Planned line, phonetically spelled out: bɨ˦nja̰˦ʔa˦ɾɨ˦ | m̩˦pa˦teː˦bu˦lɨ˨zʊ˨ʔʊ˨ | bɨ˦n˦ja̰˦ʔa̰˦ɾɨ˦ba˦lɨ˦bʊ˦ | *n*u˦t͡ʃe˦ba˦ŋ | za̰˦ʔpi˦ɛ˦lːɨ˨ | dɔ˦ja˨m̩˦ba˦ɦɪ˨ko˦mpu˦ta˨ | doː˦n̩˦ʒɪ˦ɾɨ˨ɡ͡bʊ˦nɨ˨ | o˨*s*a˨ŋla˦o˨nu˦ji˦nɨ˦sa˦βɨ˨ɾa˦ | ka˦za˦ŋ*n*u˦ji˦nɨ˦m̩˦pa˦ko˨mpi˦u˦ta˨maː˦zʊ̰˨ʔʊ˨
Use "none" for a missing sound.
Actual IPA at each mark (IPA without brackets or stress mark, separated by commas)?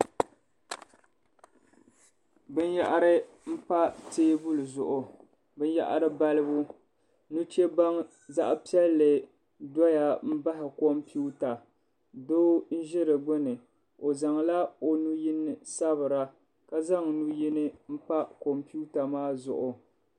n, z, n